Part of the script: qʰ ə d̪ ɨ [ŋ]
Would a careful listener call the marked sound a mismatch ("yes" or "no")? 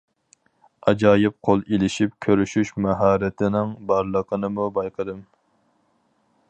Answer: yes